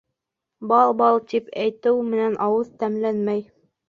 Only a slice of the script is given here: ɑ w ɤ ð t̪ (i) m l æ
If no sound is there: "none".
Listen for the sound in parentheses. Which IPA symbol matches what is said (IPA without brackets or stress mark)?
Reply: æ